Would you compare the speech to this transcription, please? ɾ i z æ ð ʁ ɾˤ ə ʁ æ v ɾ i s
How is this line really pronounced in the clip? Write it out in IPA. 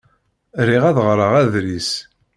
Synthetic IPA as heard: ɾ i ʁ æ ð ʁ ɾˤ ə ʁ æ ð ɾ i s

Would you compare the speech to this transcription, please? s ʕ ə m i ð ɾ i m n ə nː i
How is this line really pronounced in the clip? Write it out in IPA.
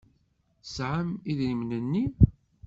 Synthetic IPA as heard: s ʕ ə m i ð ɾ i m n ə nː i

